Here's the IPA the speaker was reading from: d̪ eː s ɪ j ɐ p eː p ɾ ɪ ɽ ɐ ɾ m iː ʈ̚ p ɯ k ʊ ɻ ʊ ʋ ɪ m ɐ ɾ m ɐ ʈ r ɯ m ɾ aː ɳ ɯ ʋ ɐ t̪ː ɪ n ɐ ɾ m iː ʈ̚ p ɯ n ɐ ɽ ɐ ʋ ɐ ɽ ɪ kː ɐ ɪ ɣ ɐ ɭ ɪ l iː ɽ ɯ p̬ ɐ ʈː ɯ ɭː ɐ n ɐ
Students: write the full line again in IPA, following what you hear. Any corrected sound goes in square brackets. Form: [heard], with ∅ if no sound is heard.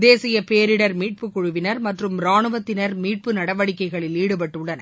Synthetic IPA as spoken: d̪ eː s ɪ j ɐ p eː [∅] ɾ ɪ ɽ ɐ ɾ m iː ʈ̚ p ɯ k ʊ ɻ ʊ ʋ ɪ [n] ɐ ɾ m ɐ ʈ r ɯ m ɾ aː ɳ ɯ ʋ ɐ t̪ː ɪ n ɐ ɾ m iː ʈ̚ p ɯ n ɐ ɽ ɐ ʋ ɐ ɽ ɪ kː ɐ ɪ ɣ ɐ ɭ ɪ l iː ɽ ɯ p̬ ɐ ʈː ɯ ɭː ɐ n ɐ

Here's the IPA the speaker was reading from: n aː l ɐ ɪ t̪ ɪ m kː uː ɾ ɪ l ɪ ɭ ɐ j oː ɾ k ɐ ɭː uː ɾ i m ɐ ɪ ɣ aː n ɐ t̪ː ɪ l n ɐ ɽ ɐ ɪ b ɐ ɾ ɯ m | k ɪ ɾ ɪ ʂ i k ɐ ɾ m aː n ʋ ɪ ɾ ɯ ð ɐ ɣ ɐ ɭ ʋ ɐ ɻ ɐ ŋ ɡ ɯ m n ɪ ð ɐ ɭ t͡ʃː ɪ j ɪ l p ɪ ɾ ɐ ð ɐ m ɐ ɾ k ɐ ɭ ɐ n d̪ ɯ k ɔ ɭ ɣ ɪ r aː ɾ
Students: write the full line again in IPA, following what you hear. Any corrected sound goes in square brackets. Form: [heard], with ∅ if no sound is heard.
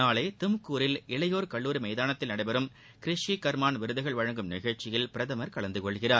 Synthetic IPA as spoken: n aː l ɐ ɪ t̪ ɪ m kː uː ɾ ɪ l ɪ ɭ ɐ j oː ɾ k ɐ ɭː uː ɾ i m ɐ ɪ [ð] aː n ɐ t̪ː ɪ l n ɐ ɽ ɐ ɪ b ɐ ɾ ɯ m | k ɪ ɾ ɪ ʂ i k ɐ ɾ m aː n ʋ ɪ ɾ ɯ ð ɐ ɣ ɐ ɭ ʋ ɐ ɻ ɐ ŋ ɡ ɯ m n ɪ [ɣ] ɐ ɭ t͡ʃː ɪ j ɪ l p ɪ ɾ ɐ ð ɐ m ɐ ɾ k ɐ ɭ ɐ n d̪ ɯ k ɔ ɭ ɣ ɪ r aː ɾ

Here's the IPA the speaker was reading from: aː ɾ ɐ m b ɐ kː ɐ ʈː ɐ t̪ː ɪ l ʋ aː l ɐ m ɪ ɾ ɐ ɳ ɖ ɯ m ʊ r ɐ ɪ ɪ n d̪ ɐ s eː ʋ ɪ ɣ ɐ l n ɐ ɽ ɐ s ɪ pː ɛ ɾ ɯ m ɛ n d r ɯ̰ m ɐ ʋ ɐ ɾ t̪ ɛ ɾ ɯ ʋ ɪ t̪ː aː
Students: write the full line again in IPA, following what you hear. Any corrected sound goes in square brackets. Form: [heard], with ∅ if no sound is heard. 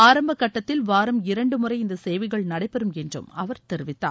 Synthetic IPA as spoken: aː ɾ ɐ m b ɐ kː ɐ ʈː ɐ t̪ː ɪ l ʋ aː [ɾ] ɐ m ɪ ɾ ɐ ɳ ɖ ɯ m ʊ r ɐ ɪ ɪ n d̪ ɐ s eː ʋ ɪ ɣ ɐ [ɭ] n ɐ ɽ ɐ [∅] ɪ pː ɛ ɾ ɯ m ɛ n d r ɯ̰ m ɐ ʋ ɐ ɾ t̪ ɛ ɾ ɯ ʋ ɪ t̪ː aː

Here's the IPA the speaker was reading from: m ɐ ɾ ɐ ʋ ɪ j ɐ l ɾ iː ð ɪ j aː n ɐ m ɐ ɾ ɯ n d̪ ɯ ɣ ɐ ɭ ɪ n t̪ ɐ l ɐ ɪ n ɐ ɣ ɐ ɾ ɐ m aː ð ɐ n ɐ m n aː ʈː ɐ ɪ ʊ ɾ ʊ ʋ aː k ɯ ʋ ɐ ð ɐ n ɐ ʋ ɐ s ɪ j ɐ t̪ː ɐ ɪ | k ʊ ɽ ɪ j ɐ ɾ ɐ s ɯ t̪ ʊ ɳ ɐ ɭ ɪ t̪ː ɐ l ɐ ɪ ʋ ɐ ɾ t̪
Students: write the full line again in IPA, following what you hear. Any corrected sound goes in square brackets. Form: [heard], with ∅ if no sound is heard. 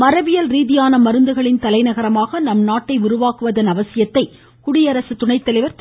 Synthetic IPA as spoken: m ɐ ɾ ɐ ʋ ɪ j ɐ l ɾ iː ð ɪ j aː n ɐ m ɐ ɾ ɯ n d̪ ɯ ɣ ɐ ɭ ɪ n t̪ ɐ l ɐ ɪ n ɐ ɣ ɐ ɾ ɐ m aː [ɣ] ɐ n ɐ m n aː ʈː ɐ ɪ ʊ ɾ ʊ ʋ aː k ɯ ʋ ɐ ð ɐ n ɐ ʋ ɐ s ɪ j ɐ t̪ː ɐ ɪ | k ʊ ɽ ɪ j ɐ ɾ ɐ s ɯ t̪ ʊ ɳ ɐ [∅] ɪ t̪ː ɐ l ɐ ɪ ʋ ɐ ɾ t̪

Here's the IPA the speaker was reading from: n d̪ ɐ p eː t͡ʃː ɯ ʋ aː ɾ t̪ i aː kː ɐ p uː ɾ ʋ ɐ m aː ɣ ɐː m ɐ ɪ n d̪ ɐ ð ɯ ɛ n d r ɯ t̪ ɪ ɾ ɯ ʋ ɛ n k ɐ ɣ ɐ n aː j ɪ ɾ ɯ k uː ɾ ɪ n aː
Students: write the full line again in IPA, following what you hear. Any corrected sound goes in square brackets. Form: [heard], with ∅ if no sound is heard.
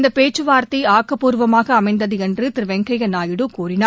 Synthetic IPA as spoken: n d̪ ɐ p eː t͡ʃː ɯ ʋ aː ɾ t̪ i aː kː ɐ p uː ɾ ʋ ɐ m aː ɣ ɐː m ɐ ɪ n d̪ ɐ ð ɯ ɛ n d r ɯ t̪ ɪ ɾ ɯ ʋ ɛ [ŋ] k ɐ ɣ ɐ n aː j ɪ [ɽ] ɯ k uː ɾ ɪ n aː

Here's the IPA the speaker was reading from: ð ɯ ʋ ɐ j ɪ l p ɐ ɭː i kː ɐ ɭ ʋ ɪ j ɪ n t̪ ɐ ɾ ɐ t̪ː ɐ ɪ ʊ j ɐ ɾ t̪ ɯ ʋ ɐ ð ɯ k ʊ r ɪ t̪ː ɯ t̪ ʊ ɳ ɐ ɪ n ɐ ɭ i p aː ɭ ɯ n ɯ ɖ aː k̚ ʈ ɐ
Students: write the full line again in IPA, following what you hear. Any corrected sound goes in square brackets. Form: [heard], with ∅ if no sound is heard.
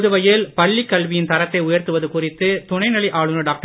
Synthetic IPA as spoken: ð ɯ ʋ ɐ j ɪ l p ɐ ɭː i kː ɐ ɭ ʋ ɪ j ɪ n t̪ ɐ ɾ ɐ t̪ː ɐ ɪ ʊ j ɐ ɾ t̪ ɯ ʋ ɐ ð ɯ k ʊ r ɪ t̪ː ɯ t̪ ʊ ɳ ɐ ɪ n ɐ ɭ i [ʔ] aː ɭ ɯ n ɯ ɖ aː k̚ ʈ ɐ

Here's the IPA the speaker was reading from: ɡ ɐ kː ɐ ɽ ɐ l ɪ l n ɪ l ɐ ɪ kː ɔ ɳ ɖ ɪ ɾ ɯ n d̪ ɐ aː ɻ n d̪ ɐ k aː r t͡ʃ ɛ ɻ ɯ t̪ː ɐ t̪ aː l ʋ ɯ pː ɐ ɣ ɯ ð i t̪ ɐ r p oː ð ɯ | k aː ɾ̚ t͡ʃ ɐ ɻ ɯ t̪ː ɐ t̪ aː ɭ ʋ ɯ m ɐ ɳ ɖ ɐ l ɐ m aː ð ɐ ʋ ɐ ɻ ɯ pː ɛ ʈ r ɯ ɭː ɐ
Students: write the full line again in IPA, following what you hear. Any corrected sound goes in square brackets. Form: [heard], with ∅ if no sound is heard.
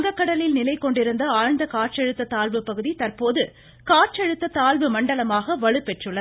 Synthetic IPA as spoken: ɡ ɐ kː ɐ ɽ ɐ l ɪ l n ɪ l ɐ ɪ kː ɔ ɳ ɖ ɪ ɾ ɯ n d̪ ɐ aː ɻ n d̪ ɐ k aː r t͡ʃ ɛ ɻ ɯ t̪ː ɐ t̪ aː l ʋ ɯ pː ɐ ɣ ɯ ð i t̪ ɐ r p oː ð ɯ | k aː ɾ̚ t͡ʃ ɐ ɻ ɯ t̪ː ɐ t̪ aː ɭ ʋ ɯ m ɐ ɳ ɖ ɐ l ɐ m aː [ɣ] ɐ ʋ ɐ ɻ ɯ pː ɛ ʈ r ɯ ɭː ɐ

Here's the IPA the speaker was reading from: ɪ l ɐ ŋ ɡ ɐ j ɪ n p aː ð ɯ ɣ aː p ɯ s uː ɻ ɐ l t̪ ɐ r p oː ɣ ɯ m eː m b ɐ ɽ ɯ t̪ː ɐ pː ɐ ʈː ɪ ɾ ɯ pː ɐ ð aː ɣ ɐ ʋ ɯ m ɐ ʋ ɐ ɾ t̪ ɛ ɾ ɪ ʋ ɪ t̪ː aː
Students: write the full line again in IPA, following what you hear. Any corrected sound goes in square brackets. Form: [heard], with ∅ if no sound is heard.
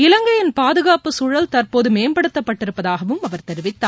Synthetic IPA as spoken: ɪ l ɐ ŋ ɡ ɐ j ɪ n p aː ð ɯ ɣ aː p ɯ s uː ɻ ɐ l t̪ ɐ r p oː [ð] ɯ m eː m b ɐ ɽ ɯ t̪ː ɐ pː ɐ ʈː ɪ ɾ ɯ pː ɐ ð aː ɣ ɐ ʋ ɯ m ɐ ʋ ɐ ɾ t̪ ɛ ɾ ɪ ʋ ɪ t̪ː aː

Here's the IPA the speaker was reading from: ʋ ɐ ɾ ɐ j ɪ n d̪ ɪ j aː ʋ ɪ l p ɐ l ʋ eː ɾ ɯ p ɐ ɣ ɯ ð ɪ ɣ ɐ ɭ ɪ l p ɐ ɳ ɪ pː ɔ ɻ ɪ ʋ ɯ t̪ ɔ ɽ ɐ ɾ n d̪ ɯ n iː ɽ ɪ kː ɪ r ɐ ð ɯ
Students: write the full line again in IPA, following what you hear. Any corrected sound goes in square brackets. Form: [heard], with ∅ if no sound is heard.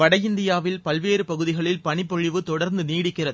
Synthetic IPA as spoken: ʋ ɐ [ɽ] ɐ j ɪ n d̪ ɪ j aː ʋ ɪ l p ɐ l ʋ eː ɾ ɯ p ɐ ɣ ɯ ð ɪ ɣ ɐ ɭ ɪ l p ɐ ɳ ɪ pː ɔ ɻ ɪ ʋ ɯ t̪ ɔ ɽ ɐ ɾ n d̪ ɯ n iː ɽ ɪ kː ɪ r ɐ ð ɯ

